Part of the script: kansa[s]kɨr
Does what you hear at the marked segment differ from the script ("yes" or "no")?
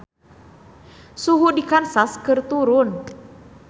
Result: no